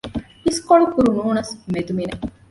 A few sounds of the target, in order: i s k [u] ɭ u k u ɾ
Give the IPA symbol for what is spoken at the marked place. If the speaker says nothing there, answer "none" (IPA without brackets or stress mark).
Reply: o